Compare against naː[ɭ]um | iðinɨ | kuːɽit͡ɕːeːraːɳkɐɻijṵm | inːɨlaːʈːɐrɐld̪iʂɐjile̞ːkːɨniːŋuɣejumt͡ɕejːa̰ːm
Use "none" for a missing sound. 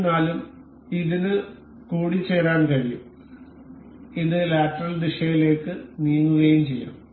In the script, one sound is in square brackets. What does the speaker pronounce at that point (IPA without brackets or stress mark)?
l